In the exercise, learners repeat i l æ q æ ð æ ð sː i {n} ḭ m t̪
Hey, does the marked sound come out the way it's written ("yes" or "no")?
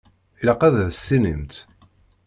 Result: yes